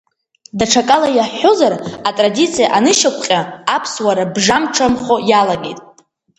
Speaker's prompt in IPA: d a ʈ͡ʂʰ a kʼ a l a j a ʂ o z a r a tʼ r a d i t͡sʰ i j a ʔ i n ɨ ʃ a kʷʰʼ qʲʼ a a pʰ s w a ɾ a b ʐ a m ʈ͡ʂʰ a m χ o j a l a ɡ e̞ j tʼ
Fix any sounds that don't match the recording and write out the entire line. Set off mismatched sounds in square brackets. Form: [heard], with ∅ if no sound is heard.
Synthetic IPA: d a ʈ͡ʂʰ a kʼ a l a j a [ħ] o z a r a tʼ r a d i t͡sʰ i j a ʔ [a] n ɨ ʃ a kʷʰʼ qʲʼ a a pʰ s w a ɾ a b ʐ a m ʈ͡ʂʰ a m χ o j a l a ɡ e̞ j tʼ